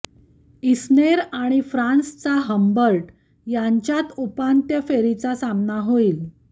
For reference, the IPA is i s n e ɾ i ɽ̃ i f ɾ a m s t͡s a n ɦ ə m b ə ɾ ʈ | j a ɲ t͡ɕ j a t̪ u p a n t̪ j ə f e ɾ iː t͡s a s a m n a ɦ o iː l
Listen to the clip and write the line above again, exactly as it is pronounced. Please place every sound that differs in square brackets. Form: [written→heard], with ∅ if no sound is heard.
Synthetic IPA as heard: i s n e ɾ [i→a] ɽ̃ i f ɾ a [m→n] s t͡s a [n→∅] ɦ ə m b ə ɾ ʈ | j a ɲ t͡ɕ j a t̪ u p a n t̪ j ə f e ɾ [iː→i] t͡s a s a m n a ɦ o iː l